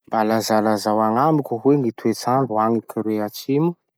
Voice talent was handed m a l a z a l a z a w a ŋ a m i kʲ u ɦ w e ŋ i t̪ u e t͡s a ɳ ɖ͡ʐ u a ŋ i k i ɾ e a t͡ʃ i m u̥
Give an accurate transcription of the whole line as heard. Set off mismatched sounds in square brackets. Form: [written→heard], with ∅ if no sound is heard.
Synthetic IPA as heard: [m→b] a l a z a l a z a w a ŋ a m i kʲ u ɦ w e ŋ i t̪ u e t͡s a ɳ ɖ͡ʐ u a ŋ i k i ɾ e a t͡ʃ i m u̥